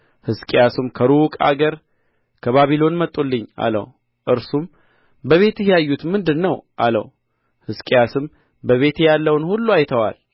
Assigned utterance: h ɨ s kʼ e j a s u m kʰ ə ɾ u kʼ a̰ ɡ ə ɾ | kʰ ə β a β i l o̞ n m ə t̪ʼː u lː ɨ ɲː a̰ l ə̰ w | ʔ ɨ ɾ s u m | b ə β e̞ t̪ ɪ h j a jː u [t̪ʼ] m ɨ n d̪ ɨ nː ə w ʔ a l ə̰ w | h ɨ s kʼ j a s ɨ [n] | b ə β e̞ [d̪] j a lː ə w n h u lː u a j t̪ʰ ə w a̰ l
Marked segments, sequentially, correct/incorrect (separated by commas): incorrect, incorrect, incorrect